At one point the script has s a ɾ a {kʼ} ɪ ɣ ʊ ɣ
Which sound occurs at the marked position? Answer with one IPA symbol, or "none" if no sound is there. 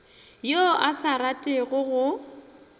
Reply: tʼ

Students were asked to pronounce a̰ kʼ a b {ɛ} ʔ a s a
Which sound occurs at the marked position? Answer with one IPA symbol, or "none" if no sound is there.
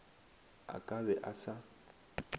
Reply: ɛ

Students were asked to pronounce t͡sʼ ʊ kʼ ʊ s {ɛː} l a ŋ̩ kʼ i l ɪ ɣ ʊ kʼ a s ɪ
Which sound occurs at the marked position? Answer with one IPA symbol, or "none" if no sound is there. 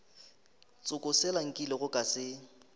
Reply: ɛ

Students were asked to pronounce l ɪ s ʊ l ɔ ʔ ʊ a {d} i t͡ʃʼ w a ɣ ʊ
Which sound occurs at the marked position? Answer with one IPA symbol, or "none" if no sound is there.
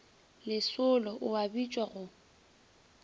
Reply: b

